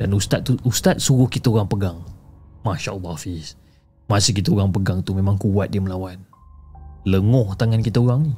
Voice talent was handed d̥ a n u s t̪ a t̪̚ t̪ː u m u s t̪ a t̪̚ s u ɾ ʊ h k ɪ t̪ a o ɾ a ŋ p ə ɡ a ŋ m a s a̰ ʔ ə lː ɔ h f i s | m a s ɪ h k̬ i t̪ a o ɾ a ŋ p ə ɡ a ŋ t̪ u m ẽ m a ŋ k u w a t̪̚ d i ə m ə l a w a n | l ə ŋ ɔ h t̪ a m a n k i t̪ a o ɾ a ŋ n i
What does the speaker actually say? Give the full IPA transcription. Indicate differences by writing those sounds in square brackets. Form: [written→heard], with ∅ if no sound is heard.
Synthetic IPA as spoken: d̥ a n u s t̪ a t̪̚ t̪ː u [m→∅] u s t̪ a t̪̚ s u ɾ ʊ h k [ɪ→i] t̪ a o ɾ a ŋ p ə ɡ a ŋ m a [s→ʃ] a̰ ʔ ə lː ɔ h f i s | m a s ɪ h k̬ i t̪ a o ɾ a ŋ p ə ɡ a ŋ t̪ u m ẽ m a ŋ k u w a t̪̚ d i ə m ə l a w a n | l ə ŋ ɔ h t̪ a [m→ŋ] a n k i t̪ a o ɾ a ŋ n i